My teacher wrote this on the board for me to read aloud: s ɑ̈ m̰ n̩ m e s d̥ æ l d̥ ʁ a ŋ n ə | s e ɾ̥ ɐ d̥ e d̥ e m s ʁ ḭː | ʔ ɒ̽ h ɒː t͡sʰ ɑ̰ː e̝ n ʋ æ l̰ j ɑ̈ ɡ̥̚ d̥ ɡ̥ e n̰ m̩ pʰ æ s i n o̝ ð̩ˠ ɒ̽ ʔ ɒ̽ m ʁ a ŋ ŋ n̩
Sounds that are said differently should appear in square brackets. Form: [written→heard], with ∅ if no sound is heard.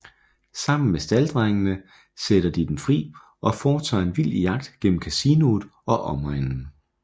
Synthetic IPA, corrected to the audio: s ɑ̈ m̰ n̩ m e s d̥ æ l d̥ ʁ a ŋ n ə | s e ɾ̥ ɐ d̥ [e→i] d̥ e m [s→f] ʁ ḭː | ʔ ɒ̽ [h→f] ɒː t͡sʰ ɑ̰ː e̝ n ʋ [æ→i] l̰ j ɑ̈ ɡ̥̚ d̥ ɡ̥ e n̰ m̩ [pʰ→kʰ] æ s i n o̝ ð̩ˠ ɒ̽ ʔ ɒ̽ m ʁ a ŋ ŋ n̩